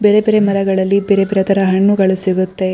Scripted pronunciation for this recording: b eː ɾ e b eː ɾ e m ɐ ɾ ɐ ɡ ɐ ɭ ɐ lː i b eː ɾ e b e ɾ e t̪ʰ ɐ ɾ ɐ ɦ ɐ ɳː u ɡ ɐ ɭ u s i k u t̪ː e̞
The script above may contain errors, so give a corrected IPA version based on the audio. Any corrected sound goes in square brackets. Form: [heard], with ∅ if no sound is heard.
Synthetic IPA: b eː ɾ e b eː ɾ e m ɐ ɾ ɐ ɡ ɐ ɭ ɐ lː i b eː ɾ e b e ɾ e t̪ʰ ɐ ɾ ɐ ɦ ɐ ɳː u ɡ ɐ ɭ u s i [ɡ] u t̪ː e̞